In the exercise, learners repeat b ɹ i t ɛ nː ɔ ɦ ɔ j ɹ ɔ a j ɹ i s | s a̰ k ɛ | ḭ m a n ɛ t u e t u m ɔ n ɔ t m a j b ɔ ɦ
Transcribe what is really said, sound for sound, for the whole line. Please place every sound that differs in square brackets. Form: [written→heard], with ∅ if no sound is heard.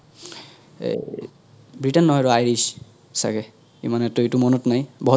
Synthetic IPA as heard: b ɹ i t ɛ nː ɔ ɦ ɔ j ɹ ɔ a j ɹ i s | s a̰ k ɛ | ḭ m a n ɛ t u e t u m ɔ n ɔ t [m→n] a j b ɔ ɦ

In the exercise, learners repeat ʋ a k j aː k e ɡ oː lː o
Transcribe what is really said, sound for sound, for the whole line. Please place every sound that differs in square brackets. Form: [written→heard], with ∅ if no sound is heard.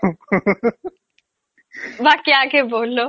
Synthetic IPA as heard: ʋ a k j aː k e [ɡ→b] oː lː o

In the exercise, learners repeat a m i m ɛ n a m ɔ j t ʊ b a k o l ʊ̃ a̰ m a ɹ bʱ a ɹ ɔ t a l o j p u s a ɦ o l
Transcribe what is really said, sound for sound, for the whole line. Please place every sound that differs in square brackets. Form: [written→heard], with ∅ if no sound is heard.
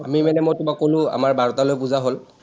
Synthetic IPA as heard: a m i m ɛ n [a→ɛ] m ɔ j t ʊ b a k o l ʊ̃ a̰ m a ɹ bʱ a ɹ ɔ t a l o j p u [s→z] a ɦ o l

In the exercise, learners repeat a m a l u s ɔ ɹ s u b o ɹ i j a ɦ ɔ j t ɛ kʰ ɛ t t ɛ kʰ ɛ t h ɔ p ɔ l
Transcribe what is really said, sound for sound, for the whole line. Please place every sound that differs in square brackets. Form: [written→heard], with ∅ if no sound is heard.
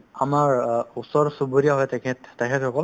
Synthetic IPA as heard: a m a [l→ɹ] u s ɔ ɹ s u b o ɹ i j a ɦ ɔ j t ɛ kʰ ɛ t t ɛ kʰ ɛ t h ɔ [p→k] ɔ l

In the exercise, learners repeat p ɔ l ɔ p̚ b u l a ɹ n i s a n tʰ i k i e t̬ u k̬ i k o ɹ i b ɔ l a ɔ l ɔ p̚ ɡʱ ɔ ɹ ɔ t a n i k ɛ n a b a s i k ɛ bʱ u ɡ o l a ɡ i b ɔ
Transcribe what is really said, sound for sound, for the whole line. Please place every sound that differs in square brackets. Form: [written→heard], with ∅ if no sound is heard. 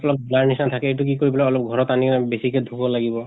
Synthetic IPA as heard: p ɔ l ɔ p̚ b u l a ɹ n i s a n tʰ [i→a] k [i→ɛ] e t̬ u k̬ i k o ɹ i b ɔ l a ɔ l ɔ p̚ ɡʱ ɔ ɹ ɔ t a n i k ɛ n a b [a→e] s i k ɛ [bʱ→dʱ] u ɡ [o→ɔ] l a ɡ i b ɔ

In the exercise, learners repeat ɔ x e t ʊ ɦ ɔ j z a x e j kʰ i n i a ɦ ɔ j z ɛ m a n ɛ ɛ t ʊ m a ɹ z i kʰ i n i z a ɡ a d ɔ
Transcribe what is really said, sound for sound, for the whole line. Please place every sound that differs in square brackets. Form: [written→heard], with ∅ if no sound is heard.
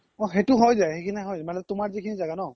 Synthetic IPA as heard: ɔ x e t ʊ ɦ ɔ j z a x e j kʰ i n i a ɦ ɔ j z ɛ m a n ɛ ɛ t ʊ m a ɹ z i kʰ i n i z a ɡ a [d→n] ɔ

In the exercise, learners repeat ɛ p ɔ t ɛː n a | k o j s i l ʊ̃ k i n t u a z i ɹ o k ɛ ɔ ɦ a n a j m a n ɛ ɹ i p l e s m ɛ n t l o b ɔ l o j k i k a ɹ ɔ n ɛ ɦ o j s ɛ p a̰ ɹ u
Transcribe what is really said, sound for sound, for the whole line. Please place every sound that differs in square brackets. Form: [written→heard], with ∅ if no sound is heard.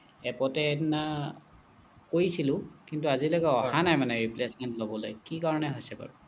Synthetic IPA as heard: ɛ p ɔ t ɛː n a | k o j s i l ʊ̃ k i n t u a z i [ɹ→l] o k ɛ ɔ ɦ a n a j m a n ɛ ɹ i p l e s m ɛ n t l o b ɔ l o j k i k a ɹ ɔ n ɛ ɦ o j s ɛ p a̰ ɹ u

